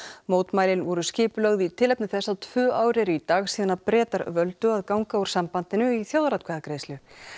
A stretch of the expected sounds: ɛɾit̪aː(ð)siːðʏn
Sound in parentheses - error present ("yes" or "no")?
yes